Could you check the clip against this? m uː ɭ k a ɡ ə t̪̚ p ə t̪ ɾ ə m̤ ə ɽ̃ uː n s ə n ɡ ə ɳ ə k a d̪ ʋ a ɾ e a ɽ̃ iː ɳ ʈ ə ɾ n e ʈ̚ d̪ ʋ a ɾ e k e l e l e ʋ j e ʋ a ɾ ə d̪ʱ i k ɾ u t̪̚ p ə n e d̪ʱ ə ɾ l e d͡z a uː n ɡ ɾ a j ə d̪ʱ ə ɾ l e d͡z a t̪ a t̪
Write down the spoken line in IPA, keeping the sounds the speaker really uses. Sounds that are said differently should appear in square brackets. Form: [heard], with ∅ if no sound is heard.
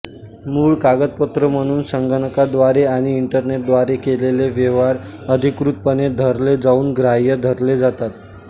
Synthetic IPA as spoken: m uː ɭ k a ɡ ə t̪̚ p ə t̪ ɾ ə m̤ ə ɽ̃ uː n s ə [ŋ] ɡ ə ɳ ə k a d̪ ʋ a ɾ e a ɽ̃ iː ɳ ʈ ə ɾ n e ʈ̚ d̪ ʋ a ɾ e k e l e l e ʋ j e ʋ a ɾ ə d̪ʱ i k ɾ u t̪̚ p ə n e d̪ʱ ə ɾ l e d͡z a uː n ɡ ɾ a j ə d̪ʱ ə ɾ l e d͡z a t̪ a t̪